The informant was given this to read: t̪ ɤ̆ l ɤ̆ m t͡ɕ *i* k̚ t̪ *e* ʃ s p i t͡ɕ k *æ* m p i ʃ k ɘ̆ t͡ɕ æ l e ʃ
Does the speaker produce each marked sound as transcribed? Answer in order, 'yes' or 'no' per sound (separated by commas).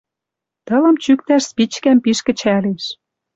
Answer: no, no, yes